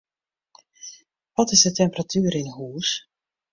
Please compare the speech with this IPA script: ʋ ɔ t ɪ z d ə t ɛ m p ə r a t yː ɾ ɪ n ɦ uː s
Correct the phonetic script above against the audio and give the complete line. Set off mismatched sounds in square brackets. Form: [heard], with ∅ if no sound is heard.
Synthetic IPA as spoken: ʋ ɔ t ɪ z d ə t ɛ m p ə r a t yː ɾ ɪ n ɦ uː s